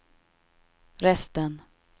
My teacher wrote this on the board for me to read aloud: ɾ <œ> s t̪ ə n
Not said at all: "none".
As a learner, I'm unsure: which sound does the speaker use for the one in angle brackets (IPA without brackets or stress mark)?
ɛ